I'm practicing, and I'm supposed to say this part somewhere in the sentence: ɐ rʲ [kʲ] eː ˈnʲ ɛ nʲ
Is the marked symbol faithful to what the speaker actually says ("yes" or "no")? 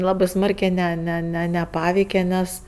yes